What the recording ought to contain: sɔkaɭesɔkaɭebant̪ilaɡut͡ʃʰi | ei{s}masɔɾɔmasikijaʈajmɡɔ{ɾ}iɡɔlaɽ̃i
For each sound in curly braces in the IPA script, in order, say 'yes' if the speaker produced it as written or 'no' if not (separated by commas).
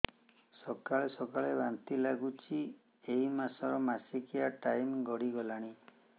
no, no